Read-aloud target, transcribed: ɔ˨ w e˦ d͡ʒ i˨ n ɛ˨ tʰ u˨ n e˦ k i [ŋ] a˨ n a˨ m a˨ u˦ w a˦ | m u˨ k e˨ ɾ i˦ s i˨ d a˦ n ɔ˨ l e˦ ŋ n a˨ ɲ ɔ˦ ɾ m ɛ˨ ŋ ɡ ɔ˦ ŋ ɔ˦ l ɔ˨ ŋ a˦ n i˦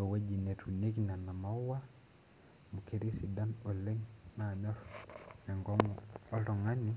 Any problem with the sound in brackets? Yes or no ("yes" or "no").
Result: yes